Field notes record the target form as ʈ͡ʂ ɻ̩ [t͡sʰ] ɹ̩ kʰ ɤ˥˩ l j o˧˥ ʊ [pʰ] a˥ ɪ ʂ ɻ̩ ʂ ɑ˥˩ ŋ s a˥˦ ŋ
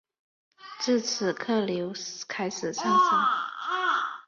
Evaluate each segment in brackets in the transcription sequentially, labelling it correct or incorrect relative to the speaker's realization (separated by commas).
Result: correct, incorrect